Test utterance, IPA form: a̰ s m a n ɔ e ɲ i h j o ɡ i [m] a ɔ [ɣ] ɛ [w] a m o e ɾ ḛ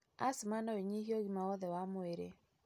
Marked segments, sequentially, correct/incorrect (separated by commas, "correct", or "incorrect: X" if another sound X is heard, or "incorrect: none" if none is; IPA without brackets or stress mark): correct, incorrect: ð, correct